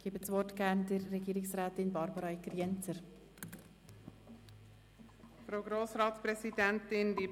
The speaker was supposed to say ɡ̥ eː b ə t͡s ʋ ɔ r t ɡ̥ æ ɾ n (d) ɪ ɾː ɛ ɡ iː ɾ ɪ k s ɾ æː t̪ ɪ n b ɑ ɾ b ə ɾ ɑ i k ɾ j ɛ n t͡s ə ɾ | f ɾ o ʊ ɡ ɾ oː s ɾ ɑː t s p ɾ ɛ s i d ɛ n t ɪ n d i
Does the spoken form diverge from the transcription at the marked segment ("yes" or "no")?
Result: no